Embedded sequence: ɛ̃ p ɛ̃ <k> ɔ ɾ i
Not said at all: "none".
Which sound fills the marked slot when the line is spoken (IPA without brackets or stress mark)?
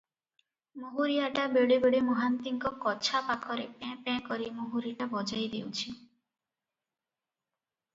k